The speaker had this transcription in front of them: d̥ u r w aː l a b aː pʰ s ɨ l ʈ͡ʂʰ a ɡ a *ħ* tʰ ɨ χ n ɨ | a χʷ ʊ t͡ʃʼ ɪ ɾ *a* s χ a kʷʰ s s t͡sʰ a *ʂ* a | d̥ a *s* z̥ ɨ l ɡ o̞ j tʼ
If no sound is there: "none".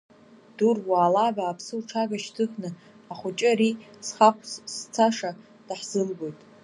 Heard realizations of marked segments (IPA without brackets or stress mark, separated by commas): ʃ, i, ʂ, ħ